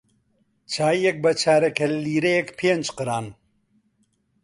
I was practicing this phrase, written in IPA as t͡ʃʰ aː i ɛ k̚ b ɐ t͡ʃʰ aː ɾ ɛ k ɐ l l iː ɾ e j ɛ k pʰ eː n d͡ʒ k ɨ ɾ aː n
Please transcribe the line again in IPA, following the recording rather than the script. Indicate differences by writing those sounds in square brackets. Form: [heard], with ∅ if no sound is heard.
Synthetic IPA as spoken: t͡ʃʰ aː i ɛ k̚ b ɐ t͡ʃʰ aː ɾ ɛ k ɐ l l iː ɾ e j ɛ k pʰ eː n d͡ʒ [q] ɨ ɾ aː n